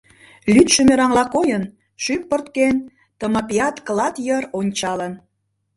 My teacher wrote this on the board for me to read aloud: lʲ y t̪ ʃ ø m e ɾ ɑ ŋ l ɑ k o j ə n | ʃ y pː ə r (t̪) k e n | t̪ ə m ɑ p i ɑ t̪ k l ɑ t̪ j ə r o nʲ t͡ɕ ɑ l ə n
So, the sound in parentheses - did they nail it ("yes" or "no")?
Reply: yes